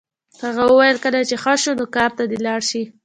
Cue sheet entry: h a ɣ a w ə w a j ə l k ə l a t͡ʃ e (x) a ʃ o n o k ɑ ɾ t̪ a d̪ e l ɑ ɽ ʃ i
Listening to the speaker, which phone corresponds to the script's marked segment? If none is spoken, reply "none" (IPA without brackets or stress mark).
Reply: x